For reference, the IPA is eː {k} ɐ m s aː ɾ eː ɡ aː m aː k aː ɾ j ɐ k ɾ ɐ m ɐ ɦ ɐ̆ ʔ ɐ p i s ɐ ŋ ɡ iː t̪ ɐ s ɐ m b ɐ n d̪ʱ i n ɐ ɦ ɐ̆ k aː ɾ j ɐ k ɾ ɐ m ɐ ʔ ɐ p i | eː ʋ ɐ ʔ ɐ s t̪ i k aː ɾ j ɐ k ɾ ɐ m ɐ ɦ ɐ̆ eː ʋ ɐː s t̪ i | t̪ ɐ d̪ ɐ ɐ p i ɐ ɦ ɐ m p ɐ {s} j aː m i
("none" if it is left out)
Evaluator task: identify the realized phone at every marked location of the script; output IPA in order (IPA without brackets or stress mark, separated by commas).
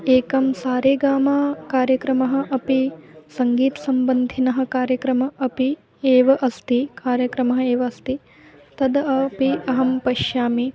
k, ʃ